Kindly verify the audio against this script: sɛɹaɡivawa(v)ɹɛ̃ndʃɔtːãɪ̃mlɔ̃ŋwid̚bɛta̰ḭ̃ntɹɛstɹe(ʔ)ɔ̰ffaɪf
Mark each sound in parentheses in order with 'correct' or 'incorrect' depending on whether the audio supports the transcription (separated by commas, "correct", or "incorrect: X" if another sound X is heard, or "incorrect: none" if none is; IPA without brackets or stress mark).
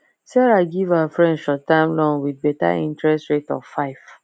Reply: incorrect: f, incorrect: t